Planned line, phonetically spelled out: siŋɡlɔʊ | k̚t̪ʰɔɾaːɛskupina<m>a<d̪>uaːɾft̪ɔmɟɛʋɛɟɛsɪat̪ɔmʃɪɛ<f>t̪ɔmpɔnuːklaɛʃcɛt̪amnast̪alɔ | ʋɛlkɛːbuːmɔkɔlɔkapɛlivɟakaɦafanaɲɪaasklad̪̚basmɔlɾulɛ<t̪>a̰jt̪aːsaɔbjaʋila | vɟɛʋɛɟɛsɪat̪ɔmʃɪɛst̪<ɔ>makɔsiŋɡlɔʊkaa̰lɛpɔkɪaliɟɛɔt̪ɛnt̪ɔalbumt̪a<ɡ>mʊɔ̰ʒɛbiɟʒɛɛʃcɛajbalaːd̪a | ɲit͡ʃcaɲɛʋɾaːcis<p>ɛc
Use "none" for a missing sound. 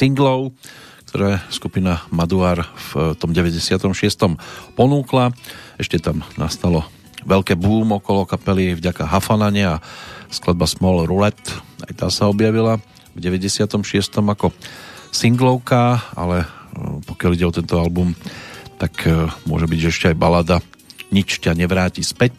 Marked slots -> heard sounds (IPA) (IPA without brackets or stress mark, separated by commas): m, d̪, s, t̪, ɔ, k, p